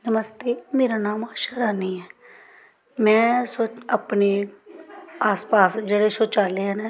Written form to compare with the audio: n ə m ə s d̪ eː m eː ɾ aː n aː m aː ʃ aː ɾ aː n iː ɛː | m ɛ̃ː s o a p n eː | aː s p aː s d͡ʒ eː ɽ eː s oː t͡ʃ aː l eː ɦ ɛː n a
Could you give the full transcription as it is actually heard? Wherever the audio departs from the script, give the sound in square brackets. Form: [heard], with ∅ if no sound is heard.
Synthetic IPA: n ə m ə s [t̪] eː m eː ɾ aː n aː m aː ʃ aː ɾ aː n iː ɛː | m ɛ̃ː s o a p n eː | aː s p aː s d͡ʒ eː ɽ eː s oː t͡ʃ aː l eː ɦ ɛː n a